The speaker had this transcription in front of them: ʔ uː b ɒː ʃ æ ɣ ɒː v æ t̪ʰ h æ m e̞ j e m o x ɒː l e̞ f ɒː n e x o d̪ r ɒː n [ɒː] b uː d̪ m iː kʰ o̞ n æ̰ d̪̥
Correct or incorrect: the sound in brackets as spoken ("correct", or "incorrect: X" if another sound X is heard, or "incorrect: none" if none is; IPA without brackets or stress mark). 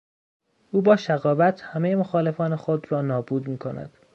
correct